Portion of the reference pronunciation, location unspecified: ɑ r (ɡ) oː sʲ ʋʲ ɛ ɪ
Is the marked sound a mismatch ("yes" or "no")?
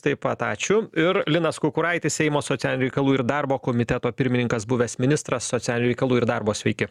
yes